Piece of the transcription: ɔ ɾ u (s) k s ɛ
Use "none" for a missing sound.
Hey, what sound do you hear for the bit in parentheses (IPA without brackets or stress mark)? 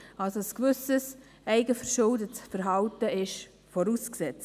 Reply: s